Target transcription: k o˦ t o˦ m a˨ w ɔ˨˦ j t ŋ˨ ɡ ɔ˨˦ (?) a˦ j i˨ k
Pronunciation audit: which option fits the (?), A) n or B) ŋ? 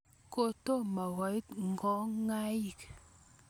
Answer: B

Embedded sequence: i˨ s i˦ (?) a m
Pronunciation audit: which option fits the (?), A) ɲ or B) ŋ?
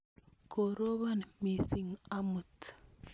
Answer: B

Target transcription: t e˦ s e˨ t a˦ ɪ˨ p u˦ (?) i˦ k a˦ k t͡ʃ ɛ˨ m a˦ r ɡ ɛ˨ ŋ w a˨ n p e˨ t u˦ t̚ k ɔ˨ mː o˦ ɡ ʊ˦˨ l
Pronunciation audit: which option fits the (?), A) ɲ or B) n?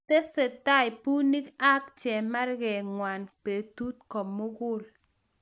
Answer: B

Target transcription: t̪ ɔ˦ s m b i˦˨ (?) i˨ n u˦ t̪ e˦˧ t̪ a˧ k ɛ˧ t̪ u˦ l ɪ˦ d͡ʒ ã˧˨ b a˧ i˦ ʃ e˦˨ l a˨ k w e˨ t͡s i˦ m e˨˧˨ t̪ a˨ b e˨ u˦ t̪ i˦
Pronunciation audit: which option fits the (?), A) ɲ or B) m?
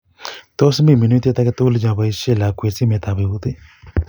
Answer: B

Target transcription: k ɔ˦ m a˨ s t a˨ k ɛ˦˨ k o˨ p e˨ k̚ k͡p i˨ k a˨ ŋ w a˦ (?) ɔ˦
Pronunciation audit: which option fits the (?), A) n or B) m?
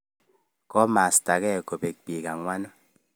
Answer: A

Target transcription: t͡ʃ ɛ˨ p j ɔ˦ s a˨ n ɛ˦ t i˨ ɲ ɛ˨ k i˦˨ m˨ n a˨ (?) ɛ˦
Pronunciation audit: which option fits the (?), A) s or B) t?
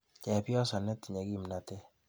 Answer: B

